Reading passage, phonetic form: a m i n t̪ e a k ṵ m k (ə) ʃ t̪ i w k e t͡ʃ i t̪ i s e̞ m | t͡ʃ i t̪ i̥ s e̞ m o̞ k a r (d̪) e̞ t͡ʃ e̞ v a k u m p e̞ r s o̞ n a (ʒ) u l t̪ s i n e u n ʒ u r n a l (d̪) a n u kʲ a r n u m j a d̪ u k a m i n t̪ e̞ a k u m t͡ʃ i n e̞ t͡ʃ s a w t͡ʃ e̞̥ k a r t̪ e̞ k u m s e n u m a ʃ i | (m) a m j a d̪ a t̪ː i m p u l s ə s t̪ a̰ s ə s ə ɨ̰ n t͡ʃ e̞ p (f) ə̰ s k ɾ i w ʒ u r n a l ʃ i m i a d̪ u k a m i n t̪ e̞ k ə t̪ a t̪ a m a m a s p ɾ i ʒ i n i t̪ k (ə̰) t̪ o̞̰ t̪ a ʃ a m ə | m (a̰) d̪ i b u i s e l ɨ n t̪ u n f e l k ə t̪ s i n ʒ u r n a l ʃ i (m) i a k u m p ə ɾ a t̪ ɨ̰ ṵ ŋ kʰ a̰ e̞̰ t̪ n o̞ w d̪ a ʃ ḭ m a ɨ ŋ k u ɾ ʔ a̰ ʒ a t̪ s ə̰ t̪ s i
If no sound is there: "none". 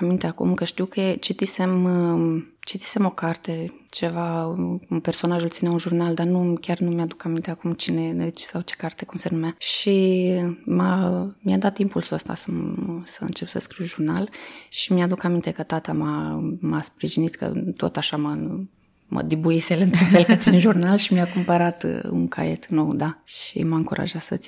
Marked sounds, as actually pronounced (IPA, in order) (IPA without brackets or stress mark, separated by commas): ə, t̪, ʒ, d̪, m, s, ə̰, ə̰, m